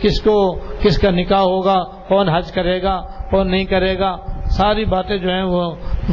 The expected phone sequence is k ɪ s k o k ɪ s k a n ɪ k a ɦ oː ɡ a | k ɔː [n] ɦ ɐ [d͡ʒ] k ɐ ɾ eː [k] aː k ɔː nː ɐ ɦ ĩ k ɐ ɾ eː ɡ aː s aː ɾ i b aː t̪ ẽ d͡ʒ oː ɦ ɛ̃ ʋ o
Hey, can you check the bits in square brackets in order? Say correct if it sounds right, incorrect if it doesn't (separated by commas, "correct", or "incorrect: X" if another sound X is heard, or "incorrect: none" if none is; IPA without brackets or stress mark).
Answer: correct, correct, incorrect: ɡ